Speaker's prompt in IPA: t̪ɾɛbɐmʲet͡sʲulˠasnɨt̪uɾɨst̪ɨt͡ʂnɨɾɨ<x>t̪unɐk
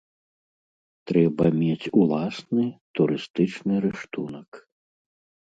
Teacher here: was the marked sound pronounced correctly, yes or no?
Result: no